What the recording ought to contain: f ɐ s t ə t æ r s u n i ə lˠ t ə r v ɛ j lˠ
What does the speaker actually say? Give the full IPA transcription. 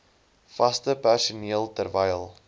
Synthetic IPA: f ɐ s t ə p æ r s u n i ə lˠ t ə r v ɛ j lˠ

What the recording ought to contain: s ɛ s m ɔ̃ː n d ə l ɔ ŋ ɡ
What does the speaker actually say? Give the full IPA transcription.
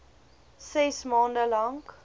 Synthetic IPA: s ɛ s m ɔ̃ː n d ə l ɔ ŋ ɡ

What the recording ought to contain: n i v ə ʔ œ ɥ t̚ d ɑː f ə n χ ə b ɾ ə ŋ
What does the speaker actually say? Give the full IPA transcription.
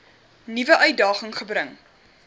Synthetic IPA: n i v ə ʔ œ ɥ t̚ d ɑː χ ə ŋ χ ə b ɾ ə ŋ

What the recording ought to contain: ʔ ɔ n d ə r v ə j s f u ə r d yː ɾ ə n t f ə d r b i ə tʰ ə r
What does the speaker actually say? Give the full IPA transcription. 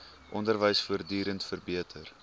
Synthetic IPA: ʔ ɔ n d ə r v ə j s f u ə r d yː ɾ ə n t f ə r b i ə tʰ ə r

